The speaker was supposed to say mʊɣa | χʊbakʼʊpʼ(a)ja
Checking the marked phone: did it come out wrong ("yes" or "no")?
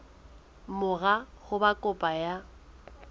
no